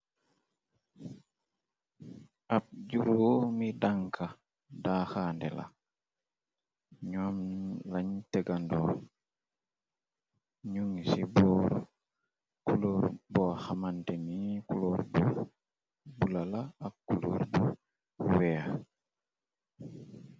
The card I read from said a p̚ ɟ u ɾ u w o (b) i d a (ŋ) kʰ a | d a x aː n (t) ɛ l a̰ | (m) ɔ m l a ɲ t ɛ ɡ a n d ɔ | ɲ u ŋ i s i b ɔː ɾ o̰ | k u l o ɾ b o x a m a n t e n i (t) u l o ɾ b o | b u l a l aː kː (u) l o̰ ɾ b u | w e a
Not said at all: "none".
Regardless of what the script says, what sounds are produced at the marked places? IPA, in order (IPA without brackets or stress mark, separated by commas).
m, ŋ, d, ɲ, k, u